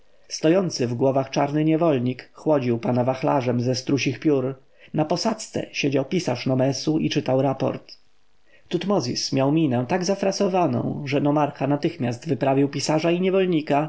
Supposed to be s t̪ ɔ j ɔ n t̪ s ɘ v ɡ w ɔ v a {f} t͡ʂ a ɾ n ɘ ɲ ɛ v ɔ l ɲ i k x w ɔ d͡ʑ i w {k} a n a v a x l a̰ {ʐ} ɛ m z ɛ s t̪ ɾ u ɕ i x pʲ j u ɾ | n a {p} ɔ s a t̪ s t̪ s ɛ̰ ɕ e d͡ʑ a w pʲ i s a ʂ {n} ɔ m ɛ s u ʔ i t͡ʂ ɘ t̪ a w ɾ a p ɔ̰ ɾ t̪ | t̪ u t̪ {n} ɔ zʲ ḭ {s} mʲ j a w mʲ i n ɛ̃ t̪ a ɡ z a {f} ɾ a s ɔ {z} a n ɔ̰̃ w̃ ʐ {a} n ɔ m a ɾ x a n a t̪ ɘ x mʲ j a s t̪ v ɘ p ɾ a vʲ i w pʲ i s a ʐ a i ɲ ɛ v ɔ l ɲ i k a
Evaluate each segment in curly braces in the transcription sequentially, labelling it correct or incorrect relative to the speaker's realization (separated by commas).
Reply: incorrect, incorrect, correct, correct, correct, incorrect, correct, correct, incorrect, incorrect